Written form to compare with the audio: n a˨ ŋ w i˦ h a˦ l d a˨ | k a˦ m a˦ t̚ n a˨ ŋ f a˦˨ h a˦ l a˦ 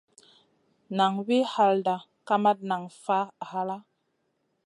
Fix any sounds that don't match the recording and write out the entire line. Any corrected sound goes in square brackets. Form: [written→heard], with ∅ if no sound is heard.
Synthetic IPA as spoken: n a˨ ŋ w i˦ h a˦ l d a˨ | k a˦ m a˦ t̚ n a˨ ŋ f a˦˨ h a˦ l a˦